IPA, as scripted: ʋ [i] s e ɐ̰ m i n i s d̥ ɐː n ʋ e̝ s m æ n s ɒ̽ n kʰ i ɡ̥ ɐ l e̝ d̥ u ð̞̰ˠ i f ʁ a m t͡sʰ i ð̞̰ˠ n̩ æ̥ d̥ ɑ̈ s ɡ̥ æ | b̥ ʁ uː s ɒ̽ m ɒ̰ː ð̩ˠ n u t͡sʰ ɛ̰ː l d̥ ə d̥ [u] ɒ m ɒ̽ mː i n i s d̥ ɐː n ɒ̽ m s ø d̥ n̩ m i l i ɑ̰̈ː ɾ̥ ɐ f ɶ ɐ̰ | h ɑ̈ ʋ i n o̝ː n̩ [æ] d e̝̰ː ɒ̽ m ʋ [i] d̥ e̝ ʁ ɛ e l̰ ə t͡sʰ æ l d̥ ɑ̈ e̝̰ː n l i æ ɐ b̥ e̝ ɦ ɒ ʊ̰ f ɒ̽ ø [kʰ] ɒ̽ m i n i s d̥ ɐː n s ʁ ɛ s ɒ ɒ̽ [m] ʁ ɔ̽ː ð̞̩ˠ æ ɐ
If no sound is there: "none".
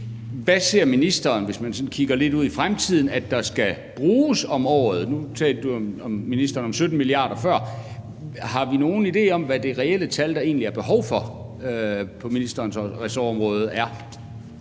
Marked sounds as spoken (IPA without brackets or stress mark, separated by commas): æ, u, i, æ, pʰ, m